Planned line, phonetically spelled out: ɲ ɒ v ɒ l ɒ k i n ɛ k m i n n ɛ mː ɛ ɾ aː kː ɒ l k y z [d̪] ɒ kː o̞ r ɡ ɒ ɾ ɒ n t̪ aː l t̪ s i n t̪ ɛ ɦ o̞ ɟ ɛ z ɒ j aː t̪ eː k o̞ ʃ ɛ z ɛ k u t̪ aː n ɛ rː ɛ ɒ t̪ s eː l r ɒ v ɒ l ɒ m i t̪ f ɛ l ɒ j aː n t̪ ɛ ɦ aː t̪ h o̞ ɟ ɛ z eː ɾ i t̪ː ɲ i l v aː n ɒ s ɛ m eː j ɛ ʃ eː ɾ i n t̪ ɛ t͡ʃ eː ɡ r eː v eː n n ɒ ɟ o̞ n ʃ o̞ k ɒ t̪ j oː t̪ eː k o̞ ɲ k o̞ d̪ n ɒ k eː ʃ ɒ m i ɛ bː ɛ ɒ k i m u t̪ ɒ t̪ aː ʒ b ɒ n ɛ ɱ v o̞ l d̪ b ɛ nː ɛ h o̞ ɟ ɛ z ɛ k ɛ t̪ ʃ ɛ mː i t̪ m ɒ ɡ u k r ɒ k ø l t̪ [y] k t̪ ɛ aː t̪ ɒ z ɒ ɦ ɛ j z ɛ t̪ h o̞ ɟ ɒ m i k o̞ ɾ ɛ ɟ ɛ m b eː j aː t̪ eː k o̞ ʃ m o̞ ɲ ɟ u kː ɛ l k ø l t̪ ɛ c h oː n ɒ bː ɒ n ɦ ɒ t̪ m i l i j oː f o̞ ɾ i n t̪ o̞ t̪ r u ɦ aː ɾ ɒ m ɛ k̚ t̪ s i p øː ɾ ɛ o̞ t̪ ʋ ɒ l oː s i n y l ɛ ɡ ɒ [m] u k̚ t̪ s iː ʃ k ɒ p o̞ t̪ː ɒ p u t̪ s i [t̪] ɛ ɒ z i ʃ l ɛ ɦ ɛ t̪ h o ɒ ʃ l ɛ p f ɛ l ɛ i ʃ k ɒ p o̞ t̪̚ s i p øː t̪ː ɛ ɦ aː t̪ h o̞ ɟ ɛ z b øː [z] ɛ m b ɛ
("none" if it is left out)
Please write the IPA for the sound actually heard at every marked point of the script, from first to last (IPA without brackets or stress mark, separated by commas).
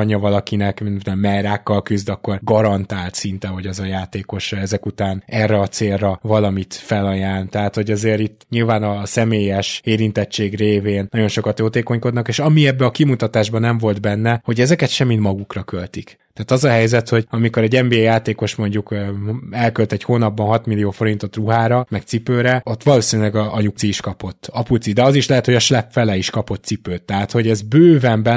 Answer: d̪, i, ɲ, d̪, v